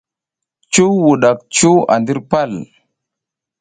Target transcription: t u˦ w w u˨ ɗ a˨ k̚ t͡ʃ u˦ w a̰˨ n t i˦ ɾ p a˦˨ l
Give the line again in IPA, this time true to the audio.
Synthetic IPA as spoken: t͡ʃ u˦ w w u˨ ɗ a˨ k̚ t͡ʃ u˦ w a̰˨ n d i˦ ɾ p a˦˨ l